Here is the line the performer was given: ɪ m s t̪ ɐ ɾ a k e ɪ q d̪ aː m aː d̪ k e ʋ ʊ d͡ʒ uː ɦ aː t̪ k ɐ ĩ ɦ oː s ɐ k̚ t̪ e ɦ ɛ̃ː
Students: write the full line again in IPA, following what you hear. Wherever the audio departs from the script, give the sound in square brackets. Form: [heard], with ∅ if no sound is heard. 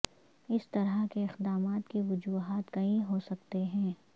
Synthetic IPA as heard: ɪ [∅] s t̪ ɐ ɾ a k e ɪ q d̪ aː m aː [t̪] k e ʋ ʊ d͡ʒ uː ɦ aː t̪ k ɐ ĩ ɦ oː s ɐ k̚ t̪ e ɦ ɛ̃ː